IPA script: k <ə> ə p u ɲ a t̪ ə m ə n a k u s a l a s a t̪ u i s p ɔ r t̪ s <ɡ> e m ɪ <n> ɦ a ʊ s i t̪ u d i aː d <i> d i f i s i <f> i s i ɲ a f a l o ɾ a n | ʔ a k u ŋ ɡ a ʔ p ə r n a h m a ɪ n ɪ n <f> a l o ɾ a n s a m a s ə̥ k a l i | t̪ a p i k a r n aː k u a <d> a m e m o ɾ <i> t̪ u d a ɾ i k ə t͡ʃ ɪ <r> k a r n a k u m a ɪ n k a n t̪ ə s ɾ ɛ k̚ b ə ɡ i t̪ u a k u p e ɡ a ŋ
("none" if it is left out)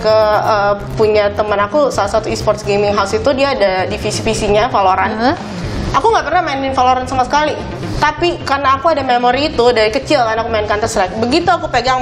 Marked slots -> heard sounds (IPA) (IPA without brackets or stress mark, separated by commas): ə, ɡ, ŋ, a, f, f, d, iː, l